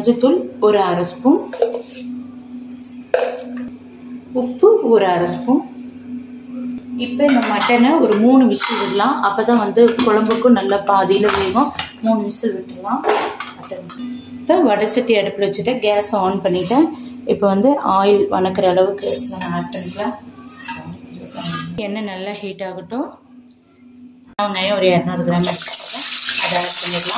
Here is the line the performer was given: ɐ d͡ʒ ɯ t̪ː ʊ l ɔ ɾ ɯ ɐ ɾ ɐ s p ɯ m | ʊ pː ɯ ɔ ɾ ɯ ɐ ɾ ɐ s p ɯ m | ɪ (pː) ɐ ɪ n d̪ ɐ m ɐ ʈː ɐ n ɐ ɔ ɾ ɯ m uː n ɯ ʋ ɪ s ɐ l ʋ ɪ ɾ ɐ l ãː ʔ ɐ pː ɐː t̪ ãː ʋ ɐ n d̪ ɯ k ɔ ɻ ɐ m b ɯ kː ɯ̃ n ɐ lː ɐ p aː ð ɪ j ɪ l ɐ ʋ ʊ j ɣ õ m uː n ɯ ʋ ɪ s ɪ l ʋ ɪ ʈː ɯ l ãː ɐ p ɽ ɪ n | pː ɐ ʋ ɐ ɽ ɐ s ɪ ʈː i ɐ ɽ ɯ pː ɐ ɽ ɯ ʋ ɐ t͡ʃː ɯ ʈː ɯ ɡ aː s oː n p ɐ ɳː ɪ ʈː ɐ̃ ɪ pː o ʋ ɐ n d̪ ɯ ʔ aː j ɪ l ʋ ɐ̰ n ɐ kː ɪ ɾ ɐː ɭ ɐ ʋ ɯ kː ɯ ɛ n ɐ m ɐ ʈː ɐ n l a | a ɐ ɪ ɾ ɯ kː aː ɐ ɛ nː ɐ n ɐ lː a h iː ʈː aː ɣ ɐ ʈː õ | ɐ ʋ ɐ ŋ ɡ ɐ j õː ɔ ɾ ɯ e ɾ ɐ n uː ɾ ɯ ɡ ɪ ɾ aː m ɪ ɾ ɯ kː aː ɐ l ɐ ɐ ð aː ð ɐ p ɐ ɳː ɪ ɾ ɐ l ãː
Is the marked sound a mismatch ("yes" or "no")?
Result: no